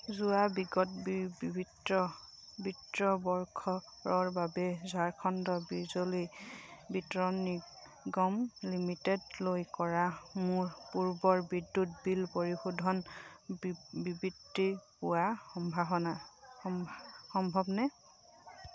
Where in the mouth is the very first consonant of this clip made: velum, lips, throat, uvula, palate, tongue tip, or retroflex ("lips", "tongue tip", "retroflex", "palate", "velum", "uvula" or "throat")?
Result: tongue tip